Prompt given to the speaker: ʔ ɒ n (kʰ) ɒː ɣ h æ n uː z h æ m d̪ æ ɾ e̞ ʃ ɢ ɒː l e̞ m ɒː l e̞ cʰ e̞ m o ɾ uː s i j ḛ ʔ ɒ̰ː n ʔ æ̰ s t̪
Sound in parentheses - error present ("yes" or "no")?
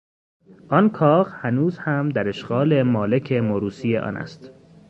no